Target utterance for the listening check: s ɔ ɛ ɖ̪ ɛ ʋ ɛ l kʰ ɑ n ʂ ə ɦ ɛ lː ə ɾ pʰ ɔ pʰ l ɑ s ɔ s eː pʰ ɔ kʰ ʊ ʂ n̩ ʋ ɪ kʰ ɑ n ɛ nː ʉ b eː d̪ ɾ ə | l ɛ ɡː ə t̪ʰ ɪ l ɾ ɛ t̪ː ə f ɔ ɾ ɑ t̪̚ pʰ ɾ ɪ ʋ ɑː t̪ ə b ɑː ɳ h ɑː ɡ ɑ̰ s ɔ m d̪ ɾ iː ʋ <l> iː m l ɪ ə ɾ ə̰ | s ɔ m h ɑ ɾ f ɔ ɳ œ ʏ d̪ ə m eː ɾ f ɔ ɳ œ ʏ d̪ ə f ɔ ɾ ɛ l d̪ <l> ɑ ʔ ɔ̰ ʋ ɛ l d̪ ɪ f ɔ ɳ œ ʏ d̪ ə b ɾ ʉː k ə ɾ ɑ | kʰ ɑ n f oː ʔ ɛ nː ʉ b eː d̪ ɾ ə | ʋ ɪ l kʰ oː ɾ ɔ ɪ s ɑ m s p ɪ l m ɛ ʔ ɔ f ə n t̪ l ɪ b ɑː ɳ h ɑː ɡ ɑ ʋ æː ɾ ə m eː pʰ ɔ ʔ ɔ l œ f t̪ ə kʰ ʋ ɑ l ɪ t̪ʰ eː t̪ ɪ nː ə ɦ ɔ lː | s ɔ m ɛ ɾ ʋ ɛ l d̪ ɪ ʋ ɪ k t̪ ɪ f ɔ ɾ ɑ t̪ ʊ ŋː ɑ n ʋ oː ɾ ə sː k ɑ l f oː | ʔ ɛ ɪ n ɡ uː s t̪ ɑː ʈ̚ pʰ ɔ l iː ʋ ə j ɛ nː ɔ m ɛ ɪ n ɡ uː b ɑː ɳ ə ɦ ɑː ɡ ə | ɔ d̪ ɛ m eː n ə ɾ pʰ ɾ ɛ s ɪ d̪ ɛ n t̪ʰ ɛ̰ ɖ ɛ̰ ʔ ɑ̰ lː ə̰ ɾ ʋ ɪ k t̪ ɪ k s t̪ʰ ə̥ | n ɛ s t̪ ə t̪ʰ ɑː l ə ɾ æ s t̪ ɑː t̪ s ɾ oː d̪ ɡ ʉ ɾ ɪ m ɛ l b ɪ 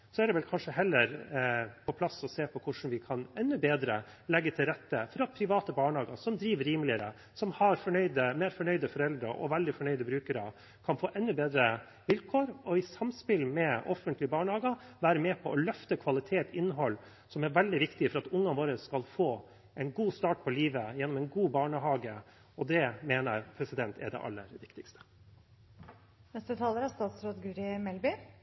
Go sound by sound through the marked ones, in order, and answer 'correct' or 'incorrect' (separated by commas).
incorrect, incorrect